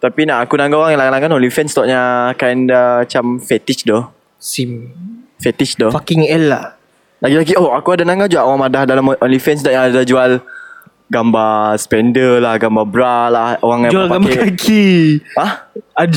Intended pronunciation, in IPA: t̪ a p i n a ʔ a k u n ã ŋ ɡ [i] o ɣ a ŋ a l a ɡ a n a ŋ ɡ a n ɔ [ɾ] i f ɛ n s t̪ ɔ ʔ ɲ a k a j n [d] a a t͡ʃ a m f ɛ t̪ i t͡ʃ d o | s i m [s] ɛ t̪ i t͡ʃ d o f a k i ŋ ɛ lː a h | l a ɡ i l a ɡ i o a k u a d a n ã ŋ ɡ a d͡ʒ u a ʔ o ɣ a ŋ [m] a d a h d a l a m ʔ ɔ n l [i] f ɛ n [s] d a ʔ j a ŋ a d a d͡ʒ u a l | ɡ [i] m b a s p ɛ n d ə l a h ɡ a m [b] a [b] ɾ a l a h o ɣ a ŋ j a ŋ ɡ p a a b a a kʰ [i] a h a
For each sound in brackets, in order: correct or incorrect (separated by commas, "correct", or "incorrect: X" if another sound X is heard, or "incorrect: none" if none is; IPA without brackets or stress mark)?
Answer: incorrect: a, incorrect: l, correct, incorrect: f, correct, correct, correct, incorrect: a, correct, correct, correct